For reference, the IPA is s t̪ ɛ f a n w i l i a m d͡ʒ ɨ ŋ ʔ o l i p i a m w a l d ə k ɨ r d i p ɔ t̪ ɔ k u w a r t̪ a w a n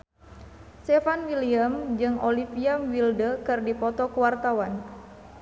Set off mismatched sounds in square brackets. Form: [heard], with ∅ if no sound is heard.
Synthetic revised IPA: s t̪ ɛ f a n w i l i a m d͡ʒ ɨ ŋ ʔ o l i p i a m w [i] l d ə k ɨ r d i p ɔ t̪ ɔ k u w a r t̪ a w a n